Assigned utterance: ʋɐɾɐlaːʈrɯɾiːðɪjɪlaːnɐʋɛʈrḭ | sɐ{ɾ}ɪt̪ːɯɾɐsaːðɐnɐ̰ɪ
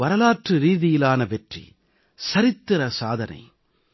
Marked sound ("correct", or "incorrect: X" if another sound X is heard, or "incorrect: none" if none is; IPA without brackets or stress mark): correct